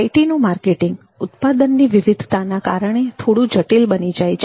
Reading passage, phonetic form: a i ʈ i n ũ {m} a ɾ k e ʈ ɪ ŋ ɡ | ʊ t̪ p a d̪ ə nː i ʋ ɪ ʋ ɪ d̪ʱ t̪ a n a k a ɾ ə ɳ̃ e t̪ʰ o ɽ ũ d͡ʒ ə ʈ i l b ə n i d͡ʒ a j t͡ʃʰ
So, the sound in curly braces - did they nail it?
yes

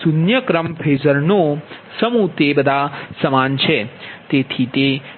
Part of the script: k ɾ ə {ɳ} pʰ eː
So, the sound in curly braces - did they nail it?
no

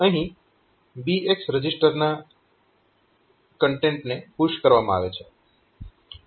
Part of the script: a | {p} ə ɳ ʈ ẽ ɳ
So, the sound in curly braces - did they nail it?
no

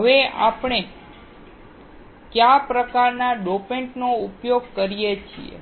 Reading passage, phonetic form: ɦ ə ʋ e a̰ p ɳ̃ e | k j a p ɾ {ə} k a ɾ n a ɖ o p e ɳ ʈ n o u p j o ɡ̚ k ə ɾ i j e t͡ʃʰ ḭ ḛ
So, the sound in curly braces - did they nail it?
yes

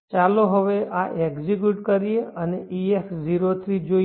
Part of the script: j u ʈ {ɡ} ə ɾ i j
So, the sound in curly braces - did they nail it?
no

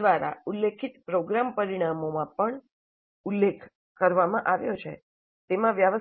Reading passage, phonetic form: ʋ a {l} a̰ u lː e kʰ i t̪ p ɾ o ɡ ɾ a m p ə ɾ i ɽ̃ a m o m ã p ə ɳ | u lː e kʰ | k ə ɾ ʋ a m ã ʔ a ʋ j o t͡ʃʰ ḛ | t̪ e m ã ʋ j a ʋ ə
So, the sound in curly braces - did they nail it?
no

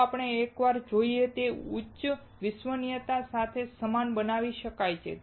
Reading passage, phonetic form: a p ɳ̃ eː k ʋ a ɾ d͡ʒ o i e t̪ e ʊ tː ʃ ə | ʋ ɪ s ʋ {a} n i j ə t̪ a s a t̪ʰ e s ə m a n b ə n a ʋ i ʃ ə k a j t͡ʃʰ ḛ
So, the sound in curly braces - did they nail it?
no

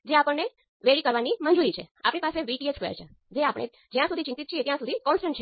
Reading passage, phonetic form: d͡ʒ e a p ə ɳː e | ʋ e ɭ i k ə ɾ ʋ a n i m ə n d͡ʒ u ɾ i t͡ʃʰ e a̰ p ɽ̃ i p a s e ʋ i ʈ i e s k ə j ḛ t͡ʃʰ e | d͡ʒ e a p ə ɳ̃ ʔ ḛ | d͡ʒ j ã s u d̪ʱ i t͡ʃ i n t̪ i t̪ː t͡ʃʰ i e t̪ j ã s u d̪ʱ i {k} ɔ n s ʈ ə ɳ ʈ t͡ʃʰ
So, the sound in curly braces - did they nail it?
yes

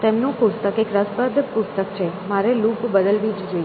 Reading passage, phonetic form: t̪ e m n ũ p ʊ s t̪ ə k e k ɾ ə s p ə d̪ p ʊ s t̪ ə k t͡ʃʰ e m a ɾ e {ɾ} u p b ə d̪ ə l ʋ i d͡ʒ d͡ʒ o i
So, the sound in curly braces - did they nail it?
no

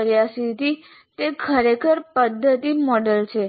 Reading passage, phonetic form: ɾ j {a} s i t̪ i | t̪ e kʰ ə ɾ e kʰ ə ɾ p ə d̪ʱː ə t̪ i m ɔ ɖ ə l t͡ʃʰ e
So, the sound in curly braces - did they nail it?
yes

